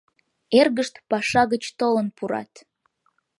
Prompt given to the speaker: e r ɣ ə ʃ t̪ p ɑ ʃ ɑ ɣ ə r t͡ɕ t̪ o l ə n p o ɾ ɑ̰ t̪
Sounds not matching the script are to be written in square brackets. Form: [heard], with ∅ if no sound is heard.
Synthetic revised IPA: e r ɣ ə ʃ t̪ p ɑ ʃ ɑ ɣ ə [∅] t͡ɕ t̪ o l ə n p [u] ɾ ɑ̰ t̪